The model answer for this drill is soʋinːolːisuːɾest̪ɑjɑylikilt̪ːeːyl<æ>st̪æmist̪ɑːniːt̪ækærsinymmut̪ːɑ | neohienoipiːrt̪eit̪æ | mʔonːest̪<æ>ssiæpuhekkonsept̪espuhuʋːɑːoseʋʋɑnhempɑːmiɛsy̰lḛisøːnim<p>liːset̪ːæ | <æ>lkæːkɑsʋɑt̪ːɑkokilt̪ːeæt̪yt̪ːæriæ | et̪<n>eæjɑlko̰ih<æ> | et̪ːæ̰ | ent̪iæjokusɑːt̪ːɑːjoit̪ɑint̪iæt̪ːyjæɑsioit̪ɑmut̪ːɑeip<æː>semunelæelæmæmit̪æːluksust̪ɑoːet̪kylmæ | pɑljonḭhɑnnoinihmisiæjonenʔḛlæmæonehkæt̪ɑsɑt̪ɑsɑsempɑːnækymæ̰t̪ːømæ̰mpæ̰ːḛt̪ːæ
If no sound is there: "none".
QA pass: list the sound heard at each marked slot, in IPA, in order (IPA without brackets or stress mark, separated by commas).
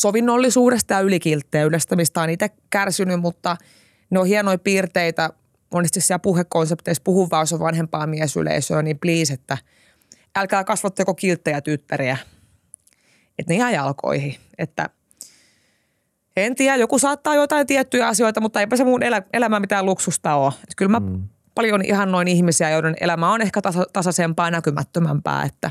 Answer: e, i, p, æ, n, i, æ